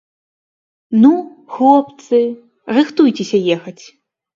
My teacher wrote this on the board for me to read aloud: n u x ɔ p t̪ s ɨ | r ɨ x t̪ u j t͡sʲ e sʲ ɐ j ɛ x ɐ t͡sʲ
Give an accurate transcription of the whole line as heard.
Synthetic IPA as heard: n u x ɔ p t̪ s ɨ | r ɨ x t̪ u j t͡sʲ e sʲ ɐ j ɛ x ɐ t͡sʲ

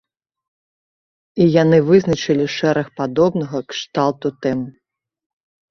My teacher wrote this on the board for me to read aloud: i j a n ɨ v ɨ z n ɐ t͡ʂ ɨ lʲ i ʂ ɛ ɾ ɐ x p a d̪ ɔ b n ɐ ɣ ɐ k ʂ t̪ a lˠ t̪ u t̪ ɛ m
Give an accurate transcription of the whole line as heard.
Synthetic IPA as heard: i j a n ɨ v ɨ z n ɐ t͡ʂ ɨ lʲ i ʂ ɛ ɾ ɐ x p a d̪ ɔ b n ɐ ɣ ɐ k ʂ t̪ a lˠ t̪ u t̪ ɛ m

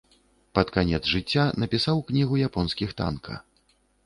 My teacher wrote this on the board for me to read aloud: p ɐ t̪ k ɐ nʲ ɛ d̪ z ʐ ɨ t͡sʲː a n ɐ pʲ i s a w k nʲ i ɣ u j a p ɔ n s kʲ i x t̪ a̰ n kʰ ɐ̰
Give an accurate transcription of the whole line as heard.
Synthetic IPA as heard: p ɐ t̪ k a nʲ ɛ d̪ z ʐ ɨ t͡sʲː a n ɐ pʲ i s a w k nʲ i ɣ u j a p ɔ n s kʲ i x t̪ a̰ n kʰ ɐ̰

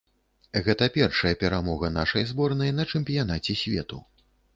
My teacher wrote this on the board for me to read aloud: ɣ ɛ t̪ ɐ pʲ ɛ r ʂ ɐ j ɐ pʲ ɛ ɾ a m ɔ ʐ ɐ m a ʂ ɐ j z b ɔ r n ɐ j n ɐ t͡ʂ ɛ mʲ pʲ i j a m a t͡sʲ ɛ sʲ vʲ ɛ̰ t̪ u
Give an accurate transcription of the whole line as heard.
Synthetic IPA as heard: ɣ ɛ t̪ ɐ pʲ ɛ r ʂ ɐ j ɐ pʲ ɛ ɾ a m ɔ ɣ ɐ n a ʂ ɐ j z b ɔ r n ɐ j n ɐ t͡ʂ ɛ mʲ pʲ i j a n a t͡sʲ ɛ sʲ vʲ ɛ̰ t̪ u

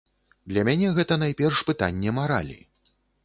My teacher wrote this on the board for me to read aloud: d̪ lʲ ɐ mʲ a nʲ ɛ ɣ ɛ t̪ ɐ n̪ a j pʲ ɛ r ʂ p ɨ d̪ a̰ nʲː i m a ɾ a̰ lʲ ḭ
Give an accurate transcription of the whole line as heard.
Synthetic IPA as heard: d̪ lʲ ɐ mʲ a nʲ ɛ ɣ ɛ t̪ ɐ n̪ a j pʲ ɛ r ʂ p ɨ t̪ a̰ nʲː ɛ m a ɾ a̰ lʲ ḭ

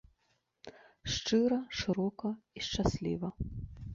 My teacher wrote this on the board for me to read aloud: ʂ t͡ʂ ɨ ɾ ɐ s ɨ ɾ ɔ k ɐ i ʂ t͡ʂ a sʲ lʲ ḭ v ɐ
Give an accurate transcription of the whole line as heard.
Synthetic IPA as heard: ʂ t͡ʂ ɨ ɾ ɐ ʂ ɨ ɾ ɔ k ɐ i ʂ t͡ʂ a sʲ lʲ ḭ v ɐ

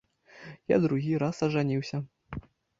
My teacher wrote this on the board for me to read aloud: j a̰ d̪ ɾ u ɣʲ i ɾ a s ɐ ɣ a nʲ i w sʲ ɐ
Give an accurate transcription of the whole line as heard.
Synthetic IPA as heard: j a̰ d̪ ɾ u ɣʲ i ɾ a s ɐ ʐ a nʲ i w sʲ ɐ

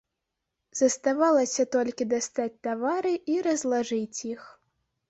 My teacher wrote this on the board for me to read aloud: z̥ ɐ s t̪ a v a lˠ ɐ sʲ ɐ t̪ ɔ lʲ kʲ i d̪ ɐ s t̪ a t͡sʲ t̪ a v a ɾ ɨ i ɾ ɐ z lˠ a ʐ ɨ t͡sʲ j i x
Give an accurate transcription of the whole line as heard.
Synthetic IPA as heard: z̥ ɐ s t̪ a v a lˠ ɐ sʲ ɐ t̪ ɔ lʲ kʲ i d̪ a s t̪ a t͡sʲ t̪ a v a ɾ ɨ i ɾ ɐ z lˠ a ʐ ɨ t͡sʲ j i x

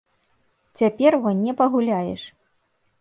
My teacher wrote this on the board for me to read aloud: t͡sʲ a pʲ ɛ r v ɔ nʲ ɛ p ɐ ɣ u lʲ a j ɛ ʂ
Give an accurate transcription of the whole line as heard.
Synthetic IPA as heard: t͡sʲ a pʲ ɛ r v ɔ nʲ ɛ p ɐ ɣ u lʲ a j ɛ ʂ

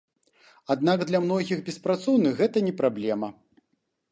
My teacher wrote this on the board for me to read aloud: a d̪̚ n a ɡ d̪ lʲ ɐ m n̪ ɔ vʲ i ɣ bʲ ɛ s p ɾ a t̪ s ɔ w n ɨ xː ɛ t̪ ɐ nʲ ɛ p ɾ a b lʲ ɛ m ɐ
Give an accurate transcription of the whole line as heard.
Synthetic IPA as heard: a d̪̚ n a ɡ d̪ lʲ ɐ m n̪ ɔ ɣʲ i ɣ bʲ ɛ s p ɾ a t̪ s ɔ w n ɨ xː ɛ t̪ ɐ nʲ ɛ p ɾ a b lʲ ɛ m ɐ

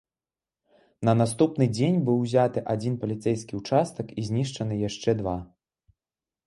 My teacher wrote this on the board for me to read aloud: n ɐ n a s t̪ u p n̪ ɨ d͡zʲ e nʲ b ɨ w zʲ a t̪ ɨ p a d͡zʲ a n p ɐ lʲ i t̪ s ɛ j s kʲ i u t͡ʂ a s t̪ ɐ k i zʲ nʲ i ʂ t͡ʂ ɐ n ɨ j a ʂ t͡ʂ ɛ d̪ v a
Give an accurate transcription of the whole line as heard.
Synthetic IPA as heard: n ɐ n a s t̪ u p n̪ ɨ d͡zʲ e nʲ b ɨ w zʲ a t̪ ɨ ʔ a d͡zʲ i n p ɐ lʲ i t̪ s ɛ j s kʲ i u t͡ʂ a s t̪ ɐ k i zʲ nʲ i ʂ t͡ʂ ɐ n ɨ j a ʂ t͡ʂ ɛ d̪ v a

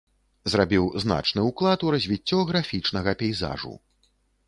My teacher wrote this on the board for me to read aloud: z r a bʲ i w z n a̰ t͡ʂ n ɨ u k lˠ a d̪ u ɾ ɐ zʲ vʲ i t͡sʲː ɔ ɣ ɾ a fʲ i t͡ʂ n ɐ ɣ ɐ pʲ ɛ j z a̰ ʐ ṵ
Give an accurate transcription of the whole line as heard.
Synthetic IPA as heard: z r a bʲ i w z n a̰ t͡ʂ n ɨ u k lˠ a t̪ u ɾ ɐ zʲ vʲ i t͡sʲː ɔ ɣ ɾ a fʲ i t͡ʂ n ɐ ɣ ɐ pʲ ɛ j z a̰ ʐ ṵ

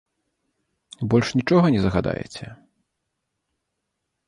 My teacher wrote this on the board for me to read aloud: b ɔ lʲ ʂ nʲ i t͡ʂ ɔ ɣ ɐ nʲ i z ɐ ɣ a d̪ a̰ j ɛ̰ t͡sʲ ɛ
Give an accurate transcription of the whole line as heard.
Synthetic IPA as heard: b ɔ lʲ ʂ nʲ i t͡ʂ ɔ ɣ ɐ nʲ ɛ z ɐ ɣ a d̪ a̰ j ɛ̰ t͡sʲ ɛ

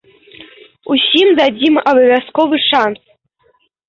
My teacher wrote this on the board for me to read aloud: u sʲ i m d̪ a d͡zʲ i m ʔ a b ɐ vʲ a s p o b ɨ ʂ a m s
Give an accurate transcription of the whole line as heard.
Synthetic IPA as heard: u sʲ i m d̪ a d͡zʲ i m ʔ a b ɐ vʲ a s k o v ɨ ʂ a n s

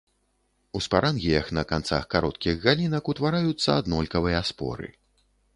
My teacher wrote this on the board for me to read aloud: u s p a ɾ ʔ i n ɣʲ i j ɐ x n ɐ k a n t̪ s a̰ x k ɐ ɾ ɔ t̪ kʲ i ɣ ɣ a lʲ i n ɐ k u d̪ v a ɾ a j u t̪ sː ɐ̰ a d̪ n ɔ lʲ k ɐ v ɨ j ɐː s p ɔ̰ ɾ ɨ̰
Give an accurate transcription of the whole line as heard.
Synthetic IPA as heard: u s p a ɾ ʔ a n ɣʲ i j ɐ x n ɐ k a n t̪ s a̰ x k a ɾ ɔ t̪ kʲ i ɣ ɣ a lʲ i n ɐ k u t̪ v a ɾ a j u t̪ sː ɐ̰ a d̪ n ɔ lʲ k ɐ v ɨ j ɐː s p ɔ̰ ɾ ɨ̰

